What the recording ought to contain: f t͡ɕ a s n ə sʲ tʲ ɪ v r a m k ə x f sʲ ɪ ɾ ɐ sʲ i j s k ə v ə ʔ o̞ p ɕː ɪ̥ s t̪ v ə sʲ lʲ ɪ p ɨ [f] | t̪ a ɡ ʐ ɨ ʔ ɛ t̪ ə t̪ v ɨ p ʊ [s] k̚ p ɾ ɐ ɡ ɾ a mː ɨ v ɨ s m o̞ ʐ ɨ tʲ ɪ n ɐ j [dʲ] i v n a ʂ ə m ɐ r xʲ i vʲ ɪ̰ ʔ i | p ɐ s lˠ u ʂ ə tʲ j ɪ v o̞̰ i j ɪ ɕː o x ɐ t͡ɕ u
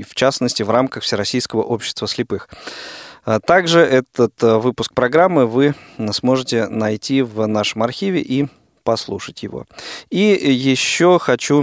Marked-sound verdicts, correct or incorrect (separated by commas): incorrect, correct, incorrect